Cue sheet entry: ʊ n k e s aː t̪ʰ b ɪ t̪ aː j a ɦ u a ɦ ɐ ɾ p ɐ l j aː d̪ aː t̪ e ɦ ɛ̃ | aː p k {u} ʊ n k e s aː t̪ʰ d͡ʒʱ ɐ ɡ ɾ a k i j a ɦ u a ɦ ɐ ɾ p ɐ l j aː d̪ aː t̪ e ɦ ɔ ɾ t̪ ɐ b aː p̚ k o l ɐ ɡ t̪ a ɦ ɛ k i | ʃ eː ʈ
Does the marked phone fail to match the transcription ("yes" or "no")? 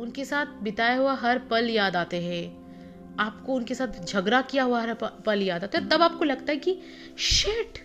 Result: yes